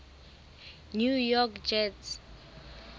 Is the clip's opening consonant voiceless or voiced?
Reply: voiced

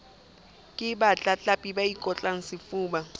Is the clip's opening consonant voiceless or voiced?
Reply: voiceless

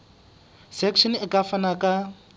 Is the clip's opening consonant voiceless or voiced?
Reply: voiceless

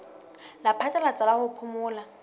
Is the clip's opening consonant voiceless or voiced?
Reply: voiced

